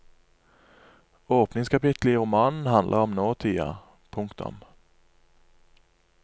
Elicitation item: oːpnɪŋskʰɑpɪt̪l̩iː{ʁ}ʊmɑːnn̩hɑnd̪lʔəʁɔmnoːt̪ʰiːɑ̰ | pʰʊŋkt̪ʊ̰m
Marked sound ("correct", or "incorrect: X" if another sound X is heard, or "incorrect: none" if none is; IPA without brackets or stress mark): correct